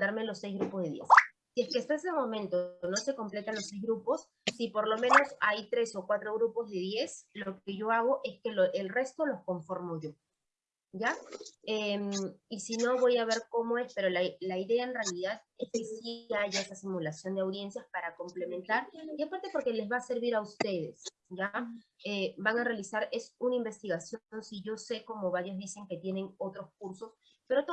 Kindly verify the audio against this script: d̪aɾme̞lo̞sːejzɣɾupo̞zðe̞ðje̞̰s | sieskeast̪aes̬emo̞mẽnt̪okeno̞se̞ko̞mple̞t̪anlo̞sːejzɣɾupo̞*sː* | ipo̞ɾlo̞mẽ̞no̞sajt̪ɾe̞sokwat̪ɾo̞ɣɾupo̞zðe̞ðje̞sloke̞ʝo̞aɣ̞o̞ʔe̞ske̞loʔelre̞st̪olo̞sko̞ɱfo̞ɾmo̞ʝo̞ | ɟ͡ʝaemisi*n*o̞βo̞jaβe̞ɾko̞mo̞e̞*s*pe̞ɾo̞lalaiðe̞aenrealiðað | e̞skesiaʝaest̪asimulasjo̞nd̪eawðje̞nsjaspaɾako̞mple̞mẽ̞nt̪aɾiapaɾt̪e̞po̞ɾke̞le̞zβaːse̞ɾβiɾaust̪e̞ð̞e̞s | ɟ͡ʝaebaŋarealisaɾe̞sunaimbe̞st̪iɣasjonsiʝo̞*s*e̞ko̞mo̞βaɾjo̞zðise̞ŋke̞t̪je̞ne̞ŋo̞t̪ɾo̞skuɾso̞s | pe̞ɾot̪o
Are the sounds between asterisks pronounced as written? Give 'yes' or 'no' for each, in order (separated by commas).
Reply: yes, yes, yes, yes